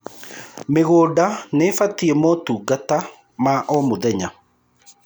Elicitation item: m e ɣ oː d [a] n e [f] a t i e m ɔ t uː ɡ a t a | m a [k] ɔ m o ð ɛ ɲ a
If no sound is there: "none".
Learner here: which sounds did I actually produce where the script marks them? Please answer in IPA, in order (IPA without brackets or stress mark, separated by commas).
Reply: a, f, ʔ